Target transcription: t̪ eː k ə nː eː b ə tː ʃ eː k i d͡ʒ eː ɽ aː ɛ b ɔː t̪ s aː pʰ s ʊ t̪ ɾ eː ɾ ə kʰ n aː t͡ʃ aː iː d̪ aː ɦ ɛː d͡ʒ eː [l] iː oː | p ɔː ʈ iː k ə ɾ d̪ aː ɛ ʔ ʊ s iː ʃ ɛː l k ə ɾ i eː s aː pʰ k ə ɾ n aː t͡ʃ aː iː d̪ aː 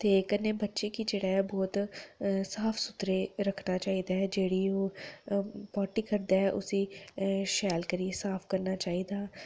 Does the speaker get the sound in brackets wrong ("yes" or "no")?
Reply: yes